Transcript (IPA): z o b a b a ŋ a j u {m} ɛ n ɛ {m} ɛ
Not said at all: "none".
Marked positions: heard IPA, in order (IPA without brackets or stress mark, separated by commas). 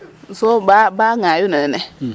n, n